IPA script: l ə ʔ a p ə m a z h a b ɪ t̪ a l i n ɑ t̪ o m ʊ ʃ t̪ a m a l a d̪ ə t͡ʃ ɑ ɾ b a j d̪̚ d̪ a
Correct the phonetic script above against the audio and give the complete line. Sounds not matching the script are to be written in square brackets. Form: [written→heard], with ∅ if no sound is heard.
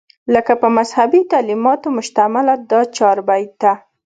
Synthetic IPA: l ə [ʔ→k] a p ə m a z h a b [ɪ→i] t̪ a l i [n→m] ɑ t̪ o m ʊ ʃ t̪ a m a l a d̪ [ə→ɑ] t͡ʃ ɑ ɾ b a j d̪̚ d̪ a